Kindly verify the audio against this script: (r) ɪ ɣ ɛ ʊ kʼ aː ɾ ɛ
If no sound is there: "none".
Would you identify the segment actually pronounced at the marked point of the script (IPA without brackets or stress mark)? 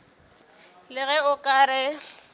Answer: l